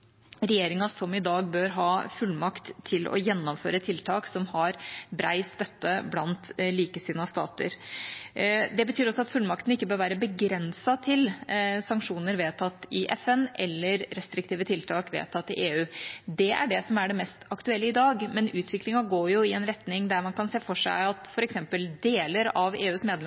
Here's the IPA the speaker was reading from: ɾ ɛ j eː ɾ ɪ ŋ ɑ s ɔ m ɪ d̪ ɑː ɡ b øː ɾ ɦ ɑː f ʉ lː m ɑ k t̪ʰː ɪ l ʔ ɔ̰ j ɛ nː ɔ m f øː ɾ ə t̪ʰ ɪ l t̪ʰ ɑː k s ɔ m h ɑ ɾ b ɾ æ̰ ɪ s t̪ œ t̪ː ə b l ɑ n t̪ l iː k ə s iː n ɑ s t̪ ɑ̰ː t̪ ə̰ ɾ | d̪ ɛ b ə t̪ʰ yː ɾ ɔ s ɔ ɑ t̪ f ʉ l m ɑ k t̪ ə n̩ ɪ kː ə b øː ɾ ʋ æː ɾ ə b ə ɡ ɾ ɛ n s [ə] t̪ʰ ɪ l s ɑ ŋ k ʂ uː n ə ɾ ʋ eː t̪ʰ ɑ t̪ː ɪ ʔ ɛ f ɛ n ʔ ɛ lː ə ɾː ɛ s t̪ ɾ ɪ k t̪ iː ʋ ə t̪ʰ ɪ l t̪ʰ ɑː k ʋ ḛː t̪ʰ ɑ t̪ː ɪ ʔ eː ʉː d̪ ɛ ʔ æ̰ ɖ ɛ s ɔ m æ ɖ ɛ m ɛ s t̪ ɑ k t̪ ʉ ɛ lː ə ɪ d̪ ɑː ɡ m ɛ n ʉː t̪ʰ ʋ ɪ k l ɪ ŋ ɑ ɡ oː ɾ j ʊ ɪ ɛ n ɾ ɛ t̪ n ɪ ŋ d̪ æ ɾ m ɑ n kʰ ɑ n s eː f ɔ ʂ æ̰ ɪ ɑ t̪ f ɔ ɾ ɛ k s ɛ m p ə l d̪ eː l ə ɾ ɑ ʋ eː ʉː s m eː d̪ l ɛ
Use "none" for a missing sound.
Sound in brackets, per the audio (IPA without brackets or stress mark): ɑ